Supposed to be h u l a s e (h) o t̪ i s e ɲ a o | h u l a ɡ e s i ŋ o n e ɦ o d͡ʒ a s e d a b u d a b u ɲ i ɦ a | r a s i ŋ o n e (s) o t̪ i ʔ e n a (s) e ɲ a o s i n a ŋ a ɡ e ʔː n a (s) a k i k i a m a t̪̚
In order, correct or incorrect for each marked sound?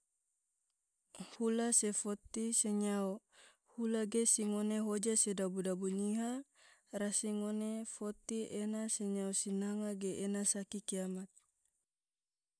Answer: incorrect: f, incorrect: f, correct, correct

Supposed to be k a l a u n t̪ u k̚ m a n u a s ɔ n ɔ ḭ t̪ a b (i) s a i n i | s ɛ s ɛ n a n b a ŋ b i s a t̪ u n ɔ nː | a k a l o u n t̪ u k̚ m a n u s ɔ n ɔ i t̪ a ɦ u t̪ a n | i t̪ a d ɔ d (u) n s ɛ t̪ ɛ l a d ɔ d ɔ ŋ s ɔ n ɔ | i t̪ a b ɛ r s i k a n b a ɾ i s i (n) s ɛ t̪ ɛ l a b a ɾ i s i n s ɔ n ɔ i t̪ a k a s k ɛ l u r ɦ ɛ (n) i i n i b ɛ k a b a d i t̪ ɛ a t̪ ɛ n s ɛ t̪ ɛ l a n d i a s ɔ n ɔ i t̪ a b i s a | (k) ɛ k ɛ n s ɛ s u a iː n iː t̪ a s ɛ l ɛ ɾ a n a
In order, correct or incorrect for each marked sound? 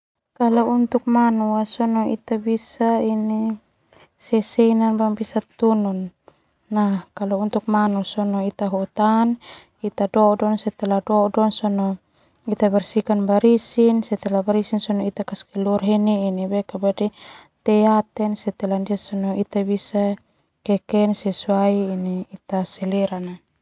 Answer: correct, incorrect: ɔ, correct, correct, correct

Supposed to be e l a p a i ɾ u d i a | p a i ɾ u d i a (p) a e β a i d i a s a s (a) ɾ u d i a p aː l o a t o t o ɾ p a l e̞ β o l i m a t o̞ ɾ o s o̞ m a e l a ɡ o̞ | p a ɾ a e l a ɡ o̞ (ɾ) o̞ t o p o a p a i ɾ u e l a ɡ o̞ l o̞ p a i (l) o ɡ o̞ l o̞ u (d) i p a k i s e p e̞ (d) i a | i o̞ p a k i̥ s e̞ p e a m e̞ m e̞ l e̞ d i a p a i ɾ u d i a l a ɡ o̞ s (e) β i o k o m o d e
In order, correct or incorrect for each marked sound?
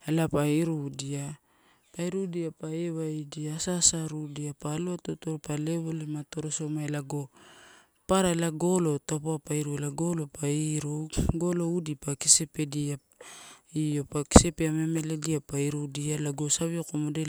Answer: correct, correct, incorrect: l, incorrect: ɾ, correct, correct, incorrect: a

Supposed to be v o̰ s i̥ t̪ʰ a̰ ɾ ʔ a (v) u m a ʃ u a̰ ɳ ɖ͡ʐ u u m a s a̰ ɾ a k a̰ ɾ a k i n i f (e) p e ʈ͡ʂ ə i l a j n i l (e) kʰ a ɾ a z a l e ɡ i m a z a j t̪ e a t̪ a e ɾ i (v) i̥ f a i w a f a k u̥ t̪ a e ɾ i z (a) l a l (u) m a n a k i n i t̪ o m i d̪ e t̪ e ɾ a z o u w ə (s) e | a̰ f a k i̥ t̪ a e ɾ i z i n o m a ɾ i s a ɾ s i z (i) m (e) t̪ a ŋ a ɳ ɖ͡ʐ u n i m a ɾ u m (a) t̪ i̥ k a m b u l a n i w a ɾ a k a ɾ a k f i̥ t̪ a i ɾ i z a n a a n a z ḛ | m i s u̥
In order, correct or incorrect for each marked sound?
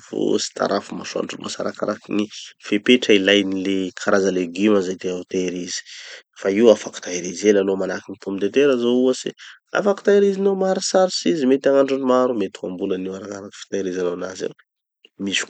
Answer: incorrect: f, correct, correct, incorrect: z, incorrect: e, incorrect: o, correct, correct, correct, incorrect: e

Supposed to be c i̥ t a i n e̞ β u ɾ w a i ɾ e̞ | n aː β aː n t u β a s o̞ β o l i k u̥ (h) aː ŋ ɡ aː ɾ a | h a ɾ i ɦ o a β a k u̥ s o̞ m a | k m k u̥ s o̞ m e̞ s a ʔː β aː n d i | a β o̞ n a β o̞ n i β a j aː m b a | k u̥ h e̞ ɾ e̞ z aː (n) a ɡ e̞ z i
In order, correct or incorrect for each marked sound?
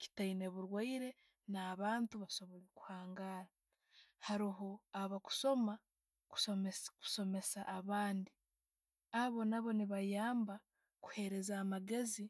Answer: correct, incorrect: m

